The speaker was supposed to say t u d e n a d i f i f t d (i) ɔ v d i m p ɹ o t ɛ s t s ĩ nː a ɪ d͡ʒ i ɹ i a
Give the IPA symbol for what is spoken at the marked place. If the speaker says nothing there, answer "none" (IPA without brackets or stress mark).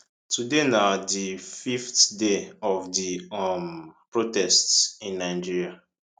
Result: e